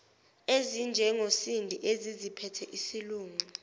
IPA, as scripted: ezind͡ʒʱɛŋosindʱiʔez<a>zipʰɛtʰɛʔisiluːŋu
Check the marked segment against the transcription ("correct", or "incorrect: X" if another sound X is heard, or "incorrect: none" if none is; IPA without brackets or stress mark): incorrect: i